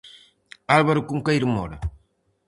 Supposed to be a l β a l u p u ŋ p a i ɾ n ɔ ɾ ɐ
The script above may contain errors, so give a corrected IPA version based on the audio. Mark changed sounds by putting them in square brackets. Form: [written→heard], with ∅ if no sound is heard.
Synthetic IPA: a l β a [l→ɾ] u [p→k] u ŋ [p→k] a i ɾ [n→m] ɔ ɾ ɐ